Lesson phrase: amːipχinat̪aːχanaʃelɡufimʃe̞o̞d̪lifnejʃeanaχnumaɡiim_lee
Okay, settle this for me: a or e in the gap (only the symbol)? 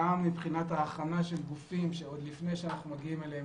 e